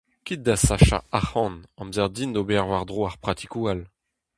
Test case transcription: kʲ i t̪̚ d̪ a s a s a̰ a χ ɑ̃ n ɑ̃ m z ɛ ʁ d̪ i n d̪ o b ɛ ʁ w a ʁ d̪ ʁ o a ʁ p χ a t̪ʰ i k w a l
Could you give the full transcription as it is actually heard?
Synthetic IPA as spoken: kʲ i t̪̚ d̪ a s a ʃ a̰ a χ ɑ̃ n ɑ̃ m z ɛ ʁ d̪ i n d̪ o b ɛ ʁ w a ʁ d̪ ʁ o a ʁ p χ a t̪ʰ i k u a l